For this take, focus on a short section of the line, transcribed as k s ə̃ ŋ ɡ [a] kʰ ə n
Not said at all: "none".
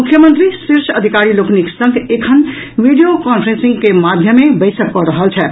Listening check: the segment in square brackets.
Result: e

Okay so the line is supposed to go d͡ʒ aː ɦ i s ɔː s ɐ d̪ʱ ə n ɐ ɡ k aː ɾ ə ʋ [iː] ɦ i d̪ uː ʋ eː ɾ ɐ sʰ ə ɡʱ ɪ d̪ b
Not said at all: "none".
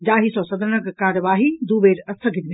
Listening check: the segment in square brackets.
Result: aː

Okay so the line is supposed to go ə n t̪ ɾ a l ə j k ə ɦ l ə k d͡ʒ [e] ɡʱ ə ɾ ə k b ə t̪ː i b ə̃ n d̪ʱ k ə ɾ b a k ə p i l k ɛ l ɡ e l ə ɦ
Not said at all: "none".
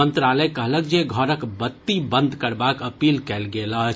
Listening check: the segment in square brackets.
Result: e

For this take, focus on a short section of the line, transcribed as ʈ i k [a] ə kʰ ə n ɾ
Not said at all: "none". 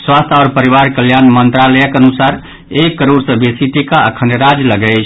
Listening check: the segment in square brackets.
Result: a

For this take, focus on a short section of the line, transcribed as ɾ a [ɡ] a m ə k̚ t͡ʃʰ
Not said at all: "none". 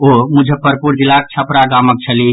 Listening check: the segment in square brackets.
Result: ɡ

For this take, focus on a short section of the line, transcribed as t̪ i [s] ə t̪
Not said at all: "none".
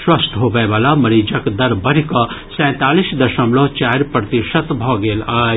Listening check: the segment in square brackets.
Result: ʃ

